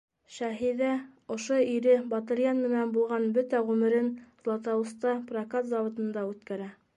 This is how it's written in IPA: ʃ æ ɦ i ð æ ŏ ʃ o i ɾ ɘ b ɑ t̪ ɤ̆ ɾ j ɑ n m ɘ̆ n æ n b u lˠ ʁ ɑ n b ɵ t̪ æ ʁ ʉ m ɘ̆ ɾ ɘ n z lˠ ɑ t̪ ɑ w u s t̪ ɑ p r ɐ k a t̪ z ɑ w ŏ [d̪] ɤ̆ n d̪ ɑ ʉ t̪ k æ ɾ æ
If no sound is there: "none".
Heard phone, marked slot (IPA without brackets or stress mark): t̪